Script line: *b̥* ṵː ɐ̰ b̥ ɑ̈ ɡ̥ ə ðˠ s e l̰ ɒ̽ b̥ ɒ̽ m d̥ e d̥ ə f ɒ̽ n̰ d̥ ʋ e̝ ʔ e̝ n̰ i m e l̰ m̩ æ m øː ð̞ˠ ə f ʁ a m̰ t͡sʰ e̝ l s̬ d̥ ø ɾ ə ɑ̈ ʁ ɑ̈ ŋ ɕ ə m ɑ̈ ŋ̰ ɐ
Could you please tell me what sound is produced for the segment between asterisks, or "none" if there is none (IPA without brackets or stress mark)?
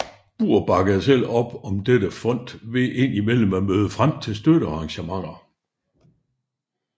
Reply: b̥